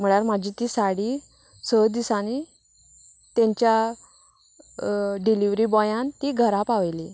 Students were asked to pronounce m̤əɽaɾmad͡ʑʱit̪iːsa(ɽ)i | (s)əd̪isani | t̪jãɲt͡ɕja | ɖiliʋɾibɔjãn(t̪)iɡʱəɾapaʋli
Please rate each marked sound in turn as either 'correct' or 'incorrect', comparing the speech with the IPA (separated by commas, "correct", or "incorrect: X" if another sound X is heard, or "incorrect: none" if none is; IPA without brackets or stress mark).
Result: correct, correct, correct